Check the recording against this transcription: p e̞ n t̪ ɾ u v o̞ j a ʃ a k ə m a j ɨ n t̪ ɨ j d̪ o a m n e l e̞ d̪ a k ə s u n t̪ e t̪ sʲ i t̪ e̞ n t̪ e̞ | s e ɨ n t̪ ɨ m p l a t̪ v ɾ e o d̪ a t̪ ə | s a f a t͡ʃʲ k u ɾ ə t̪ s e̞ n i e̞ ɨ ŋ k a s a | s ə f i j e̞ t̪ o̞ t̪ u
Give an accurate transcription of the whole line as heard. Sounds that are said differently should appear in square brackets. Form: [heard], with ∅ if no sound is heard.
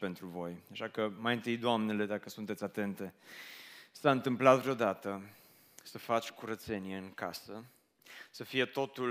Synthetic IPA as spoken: p e̞ n t̪ ɾ u v o̞ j a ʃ a k ə m a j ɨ n t̪ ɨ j d̪ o a m n e l e̞ d̪ a k ə s u n t̪ e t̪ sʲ [a] t̪ e̞ n t̪ e̞ | s [a] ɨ n t̪ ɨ m p l a t̪ v ɾ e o d̪ a t̪ ə | s [ə] f a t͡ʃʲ k u ɾ ə t̪ s e̞ n i e̞ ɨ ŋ k a s [ə] | s ə f i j e̞ t̪ o̞ t̪ u